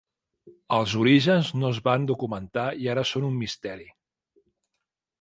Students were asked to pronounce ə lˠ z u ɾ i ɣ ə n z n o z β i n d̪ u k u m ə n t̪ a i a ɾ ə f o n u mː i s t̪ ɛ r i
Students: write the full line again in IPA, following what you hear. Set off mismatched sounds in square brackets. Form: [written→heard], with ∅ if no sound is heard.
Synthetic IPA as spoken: ə lˠ z u ɾ i [ɣ→ʒ] ə n z n o z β [i→a] n d̪ u k u m ə n t̪ a i a ɾ ə [f→s] o n u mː i s t̪ ɛ [r→ɾ] i